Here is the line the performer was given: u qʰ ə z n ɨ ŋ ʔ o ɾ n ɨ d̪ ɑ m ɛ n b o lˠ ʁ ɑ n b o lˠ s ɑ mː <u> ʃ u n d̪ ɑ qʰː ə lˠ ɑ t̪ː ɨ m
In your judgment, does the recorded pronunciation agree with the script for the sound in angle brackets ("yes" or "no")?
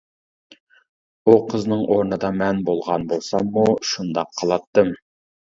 yes